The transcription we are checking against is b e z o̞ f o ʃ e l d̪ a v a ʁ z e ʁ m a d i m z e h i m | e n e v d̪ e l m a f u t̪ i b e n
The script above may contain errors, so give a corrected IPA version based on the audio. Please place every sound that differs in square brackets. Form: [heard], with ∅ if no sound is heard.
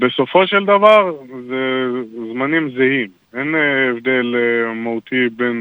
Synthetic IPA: b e [s] o̞ f o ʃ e l d̪ a v a ʁ z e [z] m a [n] i m z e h i m | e n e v d̪ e l m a [∅] u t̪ i b e n